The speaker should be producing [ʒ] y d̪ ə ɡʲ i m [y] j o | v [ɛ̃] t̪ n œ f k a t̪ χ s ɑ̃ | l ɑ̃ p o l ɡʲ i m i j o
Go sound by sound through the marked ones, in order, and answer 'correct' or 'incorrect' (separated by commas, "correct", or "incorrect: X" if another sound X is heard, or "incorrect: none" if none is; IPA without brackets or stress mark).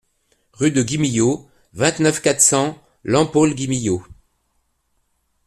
incorrect: ʁ, incorrect: i, correct